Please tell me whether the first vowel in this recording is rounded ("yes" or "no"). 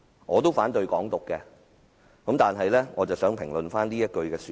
yes